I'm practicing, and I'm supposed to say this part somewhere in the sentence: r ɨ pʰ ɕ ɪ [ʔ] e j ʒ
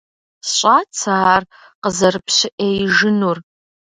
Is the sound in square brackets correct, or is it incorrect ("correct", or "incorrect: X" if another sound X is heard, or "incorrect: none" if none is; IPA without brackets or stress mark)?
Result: correct